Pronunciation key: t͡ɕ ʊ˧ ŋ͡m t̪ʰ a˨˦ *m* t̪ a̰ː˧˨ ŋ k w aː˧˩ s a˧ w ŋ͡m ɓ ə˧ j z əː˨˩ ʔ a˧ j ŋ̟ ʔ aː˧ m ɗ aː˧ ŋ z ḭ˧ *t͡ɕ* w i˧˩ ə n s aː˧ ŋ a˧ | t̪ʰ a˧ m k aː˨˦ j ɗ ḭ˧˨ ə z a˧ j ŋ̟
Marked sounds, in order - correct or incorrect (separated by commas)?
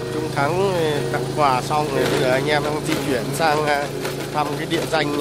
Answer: incorrect, correct